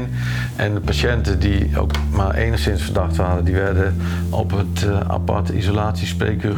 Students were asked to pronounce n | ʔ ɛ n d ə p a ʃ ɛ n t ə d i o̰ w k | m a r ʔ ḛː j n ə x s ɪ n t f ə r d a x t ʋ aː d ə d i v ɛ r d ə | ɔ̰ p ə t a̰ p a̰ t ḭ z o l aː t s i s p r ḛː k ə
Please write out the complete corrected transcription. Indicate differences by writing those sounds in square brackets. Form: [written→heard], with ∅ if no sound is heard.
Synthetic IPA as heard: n | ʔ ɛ n d ə p a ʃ ɛ n t ə d i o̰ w k | m a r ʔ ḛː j n ə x s ɪ n [t→s] f ə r d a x t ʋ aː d ə d i [v→ʋ] ɛ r d ə | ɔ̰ p ə t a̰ p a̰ t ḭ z o l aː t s i s p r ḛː k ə